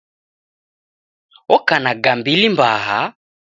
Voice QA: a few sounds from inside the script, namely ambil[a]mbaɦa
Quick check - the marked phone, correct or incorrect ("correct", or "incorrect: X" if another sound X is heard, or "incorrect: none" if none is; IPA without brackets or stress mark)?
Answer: incorrect: i